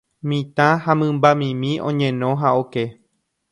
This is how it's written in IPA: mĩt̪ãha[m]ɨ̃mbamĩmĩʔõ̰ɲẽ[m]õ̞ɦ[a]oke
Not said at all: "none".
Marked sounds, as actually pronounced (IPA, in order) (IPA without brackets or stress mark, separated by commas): m, n, a